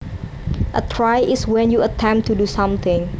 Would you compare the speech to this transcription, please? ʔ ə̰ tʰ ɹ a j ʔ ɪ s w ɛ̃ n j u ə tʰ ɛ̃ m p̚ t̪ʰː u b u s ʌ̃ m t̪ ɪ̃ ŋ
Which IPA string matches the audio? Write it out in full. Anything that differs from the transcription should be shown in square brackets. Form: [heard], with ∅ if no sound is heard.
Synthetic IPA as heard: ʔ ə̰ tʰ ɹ a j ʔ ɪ s w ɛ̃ n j u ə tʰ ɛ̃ m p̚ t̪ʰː u [d] u s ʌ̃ m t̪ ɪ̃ ŋ